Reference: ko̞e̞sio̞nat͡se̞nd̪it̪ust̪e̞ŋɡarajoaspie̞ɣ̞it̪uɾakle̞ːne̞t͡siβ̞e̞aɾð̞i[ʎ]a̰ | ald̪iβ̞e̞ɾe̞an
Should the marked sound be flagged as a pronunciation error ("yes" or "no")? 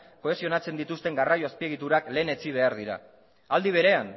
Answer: yes